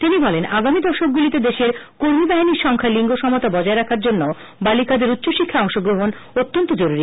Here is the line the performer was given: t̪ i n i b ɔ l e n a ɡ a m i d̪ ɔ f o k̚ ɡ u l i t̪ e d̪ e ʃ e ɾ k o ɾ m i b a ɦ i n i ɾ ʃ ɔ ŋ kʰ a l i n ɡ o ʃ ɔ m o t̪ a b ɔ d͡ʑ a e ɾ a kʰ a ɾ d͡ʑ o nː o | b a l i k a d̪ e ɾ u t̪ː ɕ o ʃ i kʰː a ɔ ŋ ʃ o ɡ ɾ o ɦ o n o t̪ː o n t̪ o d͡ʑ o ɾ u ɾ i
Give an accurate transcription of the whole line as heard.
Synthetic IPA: t̪ i n i b ɔ l e n a ɡ a m i d̪ ɔ ʃ o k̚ ɡ u l i t̪ e d̪ e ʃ e ɾ k o ɾ m i b a ɦ i n i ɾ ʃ ɔ ŋ kʰ a l i ŋ ɡ o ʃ ɔ m o t̪ a b ɔ d͡ʑ a e ɾ a kʰ a ɾ d͡ʑ o nː o | b a l i k a d̪ e ɾ u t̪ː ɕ o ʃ i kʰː a ɔ ŋ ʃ o ɡ ɾ o ɦ o n o t̪ː o n t̪ o d͡ʑ o ɾ u ɾ i